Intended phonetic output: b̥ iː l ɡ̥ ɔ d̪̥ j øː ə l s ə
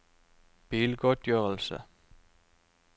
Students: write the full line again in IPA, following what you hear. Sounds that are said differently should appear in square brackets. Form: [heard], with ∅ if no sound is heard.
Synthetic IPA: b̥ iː l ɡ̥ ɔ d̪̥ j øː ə l s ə